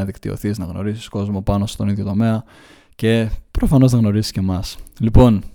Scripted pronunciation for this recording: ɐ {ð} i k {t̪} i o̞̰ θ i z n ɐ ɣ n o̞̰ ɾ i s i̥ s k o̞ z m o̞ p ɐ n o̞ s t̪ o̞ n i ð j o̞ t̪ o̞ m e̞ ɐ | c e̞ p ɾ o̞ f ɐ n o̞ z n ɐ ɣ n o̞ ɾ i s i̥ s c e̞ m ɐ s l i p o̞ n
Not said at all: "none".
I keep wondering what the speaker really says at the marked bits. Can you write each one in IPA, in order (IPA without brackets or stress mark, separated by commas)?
ð, t̪